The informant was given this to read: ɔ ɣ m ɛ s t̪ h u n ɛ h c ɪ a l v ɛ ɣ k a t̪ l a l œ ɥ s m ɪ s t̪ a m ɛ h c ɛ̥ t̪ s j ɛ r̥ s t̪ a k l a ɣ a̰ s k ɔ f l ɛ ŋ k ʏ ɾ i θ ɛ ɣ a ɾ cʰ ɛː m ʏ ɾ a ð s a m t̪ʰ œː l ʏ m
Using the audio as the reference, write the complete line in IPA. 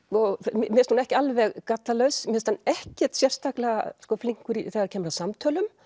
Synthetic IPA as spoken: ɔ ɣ m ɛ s t̪ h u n ɛ h c ɪ a l v ɛ ɣ k a t̪ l a l œ ɥ s m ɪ s t̪ a n ɛ h c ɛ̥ t̪ s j ɛ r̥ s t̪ a k l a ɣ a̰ s k ɔ f l i ŋ k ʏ ɾ i θ ɛ ɣ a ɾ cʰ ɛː m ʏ ɾ a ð s a m t̪ʰ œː l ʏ m

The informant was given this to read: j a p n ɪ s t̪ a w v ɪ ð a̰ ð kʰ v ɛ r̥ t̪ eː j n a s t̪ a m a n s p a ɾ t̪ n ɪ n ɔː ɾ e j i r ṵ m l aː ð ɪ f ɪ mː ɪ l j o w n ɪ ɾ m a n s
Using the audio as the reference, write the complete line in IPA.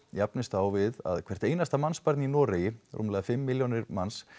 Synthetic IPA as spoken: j a p n ɪ s t̪ a w v ɪ ð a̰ ð kʰ v ɛ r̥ t̪ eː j n a s t̪ a m a n s p a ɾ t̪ n i n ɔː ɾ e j ɪ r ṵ m l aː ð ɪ f ɪ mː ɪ l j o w n ɪ ɾ m a n s

